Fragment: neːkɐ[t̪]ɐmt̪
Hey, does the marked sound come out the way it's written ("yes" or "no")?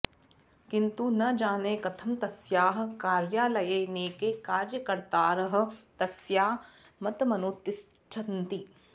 no